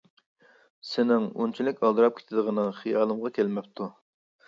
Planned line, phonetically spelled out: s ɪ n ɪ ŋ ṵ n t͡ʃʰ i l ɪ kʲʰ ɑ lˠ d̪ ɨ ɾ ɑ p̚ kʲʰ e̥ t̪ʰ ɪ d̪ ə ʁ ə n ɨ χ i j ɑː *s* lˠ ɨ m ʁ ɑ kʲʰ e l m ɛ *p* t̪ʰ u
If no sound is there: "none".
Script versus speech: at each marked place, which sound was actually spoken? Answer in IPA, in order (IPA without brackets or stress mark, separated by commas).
none, p